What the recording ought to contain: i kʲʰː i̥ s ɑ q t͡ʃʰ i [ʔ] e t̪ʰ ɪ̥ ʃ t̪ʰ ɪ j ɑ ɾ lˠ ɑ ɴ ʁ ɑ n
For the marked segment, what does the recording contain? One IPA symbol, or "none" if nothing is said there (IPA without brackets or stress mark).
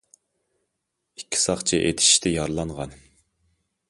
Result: ʔ